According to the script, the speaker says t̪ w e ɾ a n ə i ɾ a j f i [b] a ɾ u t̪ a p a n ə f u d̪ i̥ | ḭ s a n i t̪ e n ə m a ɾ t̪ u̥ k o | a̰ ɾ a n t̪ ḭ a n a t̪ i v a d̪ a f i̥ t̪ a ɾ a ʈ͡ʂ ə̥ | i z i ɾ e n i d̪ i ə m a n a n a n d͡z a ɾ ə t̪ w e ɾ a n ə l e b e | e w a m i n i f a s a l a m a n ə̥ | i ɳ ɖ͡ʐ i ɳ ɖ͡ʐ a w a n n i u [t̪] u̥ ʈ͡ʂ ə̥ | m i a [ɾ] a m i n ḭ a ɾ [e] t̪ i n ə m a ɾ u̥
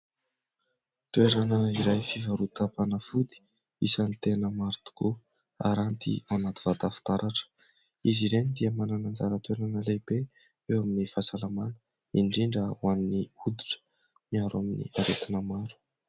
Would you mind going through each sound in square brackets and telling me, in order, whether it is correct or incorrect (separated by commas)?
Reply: incorrect, incorrect, correct, correct